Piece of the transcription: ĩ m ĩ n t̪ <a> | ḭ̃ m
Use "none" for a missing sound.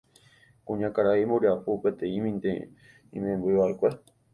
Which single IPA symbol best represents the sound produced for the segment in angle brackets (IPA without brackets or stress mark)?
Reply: e